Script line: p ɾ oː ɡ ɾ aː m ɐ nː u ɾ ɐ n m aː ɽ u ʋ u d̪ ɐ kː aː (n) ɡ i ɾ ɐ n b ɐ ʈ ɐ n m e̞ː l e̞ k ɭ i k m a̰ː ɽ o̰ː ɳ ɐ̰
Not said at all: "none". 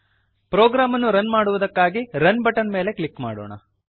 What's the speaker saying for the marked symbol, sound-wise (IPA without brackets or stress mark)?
none